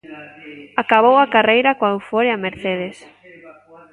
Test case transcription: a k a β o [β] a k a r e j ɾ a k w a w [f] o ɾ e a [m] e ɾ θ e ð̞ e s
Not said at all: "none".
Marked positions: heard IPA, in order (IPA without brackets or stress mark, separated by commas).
w, f, m